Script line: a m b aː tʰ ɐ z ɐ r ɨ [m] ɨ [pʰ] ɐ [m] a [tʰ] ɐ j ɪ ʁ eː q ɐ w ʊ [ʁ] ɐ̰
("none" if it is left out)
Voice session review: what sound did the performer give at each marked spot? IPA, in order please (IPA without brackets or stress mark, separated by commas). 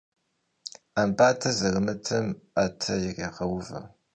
m, tʰ, m, tʰ, v